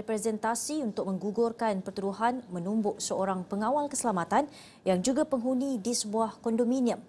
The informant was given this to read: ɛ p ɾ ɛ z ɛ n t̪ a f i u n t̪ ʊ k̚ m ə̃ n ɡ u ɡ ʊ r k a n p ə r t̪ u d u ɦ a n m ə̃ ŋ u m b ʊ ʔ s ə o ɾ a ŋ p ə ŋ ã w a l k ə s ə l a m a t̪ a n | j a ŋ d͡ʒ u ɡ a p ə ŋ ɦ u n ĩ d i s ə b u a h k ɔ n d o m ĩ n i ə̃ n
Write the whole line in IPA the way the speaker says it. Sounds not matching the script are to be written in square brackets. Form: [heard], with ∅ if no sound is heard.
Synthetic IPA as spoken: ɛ p ɾ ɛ z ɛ n t̪ a [s] i u n t̪ ʊ k̚ m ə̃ [ŋ] ɡ u ɡ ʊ r k a n p ə r t̪ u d u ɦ a n m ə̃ [n] u m b ʊ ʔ s ə o ɾ a ŋ p ə ŋ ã w a l k ə s ə l a m a t̪ a n | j a ŋ d͡ʒ u ɡ a p ə ŋ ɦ u n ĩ d i s ə b u a h k ɔ n d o m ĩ n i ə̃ [m]